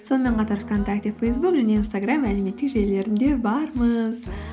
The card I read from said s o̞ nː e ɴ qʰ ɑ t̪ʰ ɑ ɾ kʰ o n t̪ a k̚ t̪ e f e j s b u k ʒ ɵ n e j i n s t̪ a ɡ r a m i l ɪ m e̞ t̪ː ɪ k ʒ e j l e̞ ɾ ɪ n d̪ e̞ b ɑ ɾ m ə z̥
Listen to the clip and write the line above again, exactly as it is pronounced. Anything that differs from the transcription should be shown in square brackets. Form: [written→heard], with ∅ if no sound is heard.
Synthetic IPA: s o̞ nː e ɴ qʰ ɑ [t̪ʰ→t̪] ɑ ɾ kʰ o n t̪ a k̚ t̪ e f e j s b u k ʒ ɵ n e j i n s t̪ a ɡ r a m [i→æ] l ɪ m e̞ t̪ː ɪ k ʒ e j l e̞ ɾ ɪ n d̪ e̞ b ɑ ɾ m ə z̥